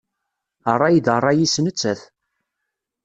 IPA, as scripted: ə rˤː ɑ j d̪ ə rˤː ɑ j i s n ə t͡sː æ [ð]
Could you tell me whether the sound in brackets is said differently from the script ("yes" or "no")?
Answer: yes